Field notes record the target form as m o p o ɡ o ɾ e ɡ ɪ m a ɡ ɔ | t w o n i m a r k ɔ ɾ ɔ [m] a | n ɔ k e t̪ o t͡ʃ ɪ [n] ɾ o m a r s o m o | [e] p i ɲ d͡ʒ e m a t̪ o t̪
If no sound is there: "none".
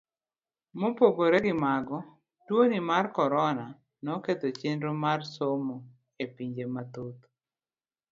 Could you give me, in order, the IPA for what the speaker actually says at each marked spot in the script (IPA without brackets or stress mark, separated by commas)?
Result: n, n, e